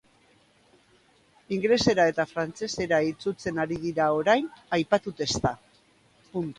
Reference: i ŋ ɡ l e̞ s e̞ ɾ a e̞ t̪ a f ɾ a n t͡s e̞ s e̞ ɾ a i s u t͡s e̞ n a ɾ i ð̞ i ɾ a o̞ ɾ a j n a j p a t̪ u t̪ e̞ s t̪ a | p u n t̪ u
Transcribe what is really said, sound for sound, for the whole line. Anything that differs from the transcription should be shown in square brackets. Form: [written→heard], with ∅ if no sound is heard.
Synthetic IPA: i ŋ ɡ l e̞ s e̞ ɾ a e̞ t̪ a f ɾ a n t͡s e̞ s e̞ ɾ a i [s→t͡s] u t͡s e̞ n a ɾ i ð̞ i ɾ a o̞ ɾ a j n a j p a t̪ u t̪ e̞ s t̪ a | p u n t̪ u